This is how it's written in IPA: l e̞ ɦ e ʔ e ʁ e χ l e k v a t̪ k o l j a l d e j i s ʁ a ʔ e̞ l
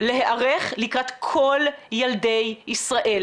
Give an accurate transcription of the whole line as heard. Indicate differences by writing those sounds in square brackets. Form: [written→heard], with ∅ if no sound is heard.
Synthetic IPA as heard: l e̞ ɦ e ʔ [e→a] ʁ e χ l [e→i] k [v→ʁ] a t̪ [k→kʰ] o l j a l d e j i s ʁ a ʔ e̞ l